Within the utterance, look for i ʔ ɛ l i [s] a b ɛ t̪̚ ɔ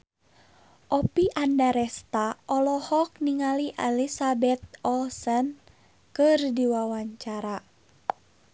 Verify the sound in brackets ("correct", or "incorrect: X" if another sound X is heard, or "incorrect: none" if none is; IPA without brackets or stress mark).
correct